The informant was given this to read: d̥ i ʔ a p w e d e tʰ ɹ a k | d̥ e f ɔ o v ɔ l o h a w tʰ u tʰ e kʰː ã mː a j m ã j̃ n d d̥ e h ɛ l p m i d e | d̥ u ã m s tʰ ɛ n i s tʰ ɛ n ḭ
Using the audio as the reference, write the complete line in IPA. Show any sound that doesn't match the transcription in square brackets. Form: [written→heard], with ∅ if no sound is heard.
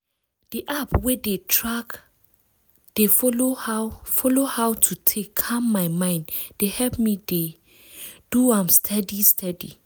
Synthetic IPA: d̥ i ʔ a p w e d e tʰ ɹ a k | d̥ e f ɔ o [v→f] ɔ l o h a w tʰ u tʰ e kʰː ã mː a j m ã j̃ n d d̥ e h ɛ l p m i d e | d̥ u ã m s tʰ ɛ [n→d] i s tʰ ɛ [n→d] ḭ